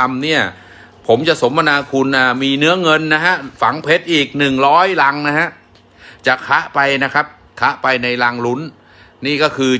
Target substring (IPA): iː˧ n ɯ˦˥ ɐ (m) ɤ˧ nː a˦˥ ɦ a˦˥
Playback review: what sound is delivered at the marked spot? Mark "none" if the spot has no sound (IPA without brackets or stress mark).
ŋ